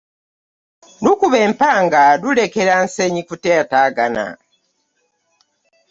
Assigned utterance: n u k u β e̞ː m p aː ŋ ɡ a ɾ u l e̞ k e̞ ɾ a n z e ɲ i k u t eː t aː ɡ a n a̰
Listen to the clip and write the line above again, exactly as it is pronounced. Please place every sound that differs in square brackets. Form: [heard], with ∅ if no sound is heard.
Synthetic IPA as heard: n u k u β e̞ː m p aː ŋ ɡ a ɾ u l e̞ k e̞ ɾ a n [s] e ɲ i k u t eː t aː ɡ a n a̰